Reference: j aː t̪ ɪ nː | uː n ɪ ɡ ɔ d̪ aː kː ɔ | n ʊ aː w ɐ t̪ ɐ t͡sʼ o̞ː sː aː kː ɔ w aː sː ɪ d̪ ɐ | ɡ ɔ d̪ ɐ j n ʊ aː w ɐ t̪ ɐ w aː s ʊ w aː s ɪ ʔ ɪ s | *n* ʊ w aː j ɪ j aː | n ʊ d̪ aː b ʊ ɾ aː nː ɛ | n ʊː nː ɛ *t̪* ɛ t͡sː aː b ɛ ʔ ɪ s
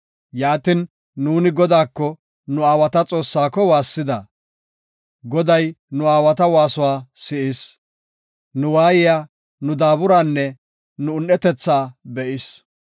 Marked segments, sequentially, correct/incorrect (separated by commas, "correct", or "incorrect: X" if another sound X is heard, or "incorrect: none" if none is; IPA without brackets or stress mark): correct, correct